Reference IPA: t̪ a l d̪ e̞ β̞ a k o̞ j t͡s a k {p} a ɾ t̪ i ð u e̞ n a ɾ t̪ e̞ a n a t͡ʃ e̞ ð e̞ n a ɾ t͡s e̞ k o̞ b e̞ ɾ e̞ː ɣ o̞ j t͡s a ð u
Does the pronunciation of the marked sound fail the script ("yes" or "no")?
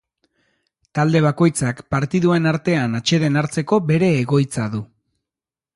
no